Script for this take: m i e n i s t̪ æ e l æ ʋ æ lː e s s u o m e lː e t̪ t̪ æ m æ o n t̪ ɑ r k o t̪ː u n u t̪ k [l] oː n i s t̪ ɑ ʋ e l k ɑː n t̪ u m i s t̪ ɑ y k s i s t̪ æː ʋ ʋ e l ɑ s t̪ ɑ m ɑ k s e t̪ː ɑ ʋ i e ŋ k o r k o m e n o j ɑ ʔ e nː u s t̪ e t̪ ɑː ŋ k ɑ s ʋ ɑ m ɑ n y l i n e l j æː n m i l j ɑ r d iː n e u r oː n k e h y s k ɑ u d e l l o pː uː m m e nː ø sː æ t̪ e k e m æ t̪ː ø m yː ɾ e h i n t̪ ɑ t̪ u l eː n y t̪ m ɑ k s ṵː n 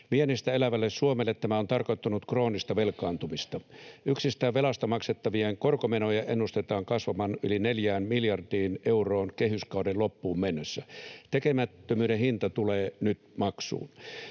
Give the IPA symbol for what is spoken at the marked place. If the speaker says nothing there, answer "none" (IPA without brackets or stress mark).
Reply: r